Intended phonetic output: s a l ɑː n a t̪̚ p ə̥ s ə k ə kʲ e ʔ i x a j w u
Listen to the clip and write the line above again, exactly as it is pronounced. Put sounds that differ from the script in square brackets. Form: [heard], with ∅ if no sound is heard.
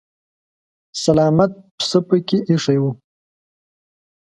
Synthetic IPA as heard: s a l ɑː [m] a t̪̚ p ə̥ s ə [p] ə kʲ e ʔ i [ʂ] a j w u